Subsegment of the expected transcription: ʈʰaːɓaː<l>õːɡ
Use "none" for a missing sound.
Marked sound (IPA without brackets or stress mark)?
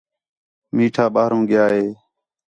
ɾ